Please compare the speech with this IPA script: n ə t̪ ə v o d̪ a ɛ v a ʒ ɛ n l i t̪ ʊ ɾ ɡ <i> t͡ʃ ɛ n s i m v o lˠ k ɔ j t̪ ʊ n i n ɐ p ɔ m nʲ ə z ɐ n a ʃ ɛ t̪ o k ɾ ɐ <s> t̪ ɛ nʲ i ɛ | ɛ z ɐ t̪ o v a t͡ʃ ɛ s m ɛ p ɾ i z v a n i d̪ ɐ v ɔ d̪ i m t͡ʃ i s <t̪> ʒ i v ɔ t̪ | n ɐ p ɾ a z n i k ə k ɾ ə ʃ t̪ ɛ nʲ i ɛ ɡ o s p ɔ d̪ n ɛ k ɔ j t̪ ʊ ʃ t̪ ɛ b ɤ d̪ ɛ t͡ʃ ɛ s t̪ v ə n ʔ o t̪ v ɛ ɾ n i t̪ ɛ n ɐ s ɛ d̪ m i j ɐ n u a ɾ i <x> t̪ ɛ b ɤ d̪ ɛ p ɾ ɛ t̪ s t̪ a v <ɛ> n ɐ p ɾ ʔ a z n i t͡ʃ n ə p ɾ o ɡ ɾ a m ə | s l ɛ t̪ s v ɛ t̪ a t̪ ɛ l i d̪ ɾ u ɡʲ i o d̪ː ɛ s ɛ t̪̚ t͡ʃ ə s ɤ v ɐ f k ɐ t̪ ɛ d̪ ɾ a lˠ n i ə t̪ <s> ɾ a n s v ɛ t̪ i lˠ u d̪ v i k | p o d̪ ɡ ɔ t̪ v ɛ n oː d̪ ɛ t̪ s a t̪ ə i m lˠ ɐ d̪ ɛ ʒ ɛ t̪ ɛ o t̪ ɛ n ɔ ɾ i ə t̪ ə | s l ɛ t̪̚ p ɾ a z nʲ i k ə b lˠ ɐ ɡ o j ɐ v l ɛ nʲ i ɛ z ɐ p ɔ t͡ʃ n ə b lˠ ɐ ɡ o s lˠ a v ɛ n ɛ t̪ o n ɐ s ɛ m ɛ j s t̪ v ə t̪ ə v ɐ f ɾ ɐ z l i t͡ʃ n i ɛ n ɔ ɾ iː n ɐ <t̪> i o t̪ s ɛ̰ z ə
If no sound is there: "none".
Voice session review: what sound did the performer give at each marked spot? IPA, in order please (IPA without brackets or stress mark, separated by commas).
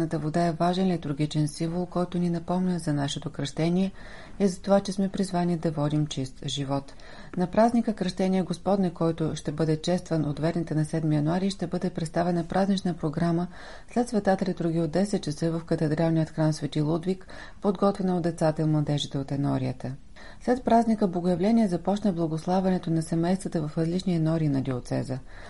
i, ʃ, t̪, ʃ, ɛ, x, d̪